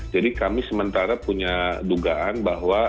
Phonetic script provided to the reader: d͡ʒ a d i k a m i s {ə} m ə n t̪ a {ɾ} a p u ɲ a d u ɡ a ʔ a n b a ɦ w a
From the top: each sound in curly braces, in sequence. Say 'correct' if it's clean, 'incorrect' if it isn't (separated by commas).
correct, correct